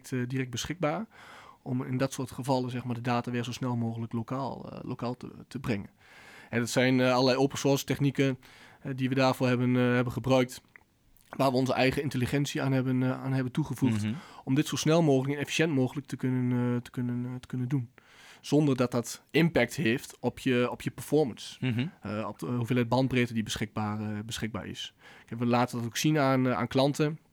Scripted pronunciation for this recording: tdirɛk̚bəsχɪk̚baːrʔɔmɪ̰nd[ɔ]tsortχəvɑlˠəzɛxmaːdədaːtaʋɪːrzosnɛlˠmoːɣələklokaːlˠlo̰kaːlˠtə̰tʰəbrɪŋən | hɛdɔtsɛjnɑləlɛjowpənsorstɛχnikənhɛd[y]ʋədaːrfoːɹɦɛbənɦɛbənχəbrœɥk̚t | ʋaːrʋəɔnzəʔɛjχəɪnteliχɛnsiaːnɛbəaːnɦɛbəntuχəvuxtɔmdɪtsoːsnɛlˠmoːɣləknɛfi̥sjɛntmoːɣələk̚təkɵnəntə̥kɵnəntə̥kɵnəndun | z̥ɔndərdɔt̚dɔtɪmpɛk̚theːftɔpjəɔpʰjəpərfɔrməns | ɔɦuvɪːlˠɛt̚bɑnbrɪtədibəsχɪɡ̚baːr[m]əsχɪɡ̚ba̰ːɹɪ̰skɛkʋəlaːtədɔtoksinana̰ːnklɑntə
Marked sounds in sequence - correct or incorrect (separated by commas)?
correct, incorrect, incorrect